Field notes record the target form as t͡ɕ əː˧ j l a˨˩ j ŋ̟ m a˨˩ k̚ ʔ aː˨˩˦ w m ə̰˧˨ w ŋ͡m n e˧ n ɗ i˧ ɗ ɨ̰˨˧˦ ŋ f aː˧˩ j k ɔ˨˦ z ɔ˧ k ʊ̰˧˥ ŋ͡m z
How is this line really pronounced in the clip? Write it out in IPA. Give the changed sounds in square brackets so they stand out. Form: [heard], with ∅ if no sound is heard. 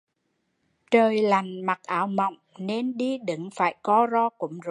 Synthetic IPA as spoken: t͡ɕ [əː˨˩] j l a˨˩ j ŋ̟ m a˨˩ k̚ ʔ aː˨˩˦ w m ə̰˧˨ w ŋ͡m n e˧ n ɗ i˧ ɗ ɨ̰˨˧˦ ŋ f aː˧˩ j k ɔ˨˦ z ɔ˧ k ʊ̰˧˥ ŋ͡m z